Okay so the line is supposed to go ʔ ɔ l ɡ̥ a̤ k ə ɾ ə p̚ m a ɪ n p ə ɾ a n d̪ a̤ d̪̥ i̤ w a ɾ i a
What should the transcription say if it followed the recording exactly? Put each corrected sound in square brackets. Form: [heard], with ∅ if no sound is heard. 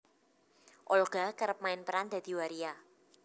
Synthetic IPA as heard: ʔ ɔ l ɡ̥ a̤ k ə ɾ ə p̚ m a ɪ n p ə ɾ a n d̪ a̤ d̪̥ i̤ w a ɾ i a